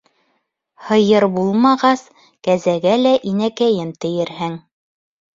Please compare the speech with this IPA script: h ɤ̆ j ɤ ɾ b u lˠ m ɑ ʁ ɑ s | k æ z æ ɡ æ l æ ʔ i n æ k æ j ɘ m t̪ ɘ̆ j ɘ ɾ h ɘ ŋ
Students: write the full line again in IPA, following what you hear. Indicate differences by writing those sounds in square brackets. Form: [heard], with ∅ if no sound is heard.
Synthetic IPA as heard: h ɤ̆ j ɤ ɾ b u lˠ m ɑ ʁ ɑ s | k æ z æ ɡ æ l æ ʔ i n æ k æ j ɘ m t̪ ɘ̆ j ɘ ɾ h ɘ ŋ